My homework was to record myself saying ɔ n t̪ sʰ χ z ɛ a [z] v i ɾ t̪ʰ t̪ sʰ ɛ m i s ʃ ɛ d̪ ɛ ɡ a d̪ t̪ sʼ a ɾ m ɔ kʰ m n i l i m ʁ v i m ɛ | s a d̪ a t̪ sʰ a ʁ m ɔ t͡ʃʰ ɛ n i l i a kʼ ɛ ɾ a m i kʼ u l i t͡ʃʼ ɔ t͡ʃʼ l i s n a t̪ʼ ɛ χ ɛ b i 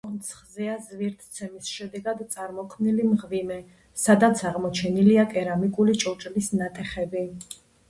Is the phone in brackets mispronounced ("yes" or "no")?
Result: no